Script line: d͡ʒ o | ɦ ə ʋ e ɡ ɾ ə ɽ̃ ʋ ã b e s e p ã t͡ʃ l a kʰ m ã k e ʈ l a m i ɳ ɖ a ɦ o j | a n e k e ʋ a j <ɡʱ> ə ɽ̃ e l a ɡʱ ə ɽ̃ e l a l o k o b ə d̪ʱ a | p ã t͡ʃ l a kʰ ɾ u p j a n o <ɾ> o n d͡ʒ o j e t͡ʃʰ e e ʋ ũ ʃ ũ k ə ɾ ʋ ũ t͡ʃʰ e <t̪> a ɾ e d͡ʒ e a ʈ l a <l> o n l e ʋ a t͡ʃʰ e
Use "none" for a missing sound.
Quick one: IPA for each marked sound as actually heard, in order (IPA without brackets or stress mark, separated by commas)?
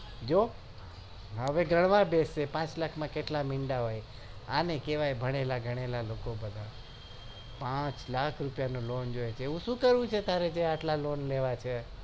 bʱ, l, t̪, l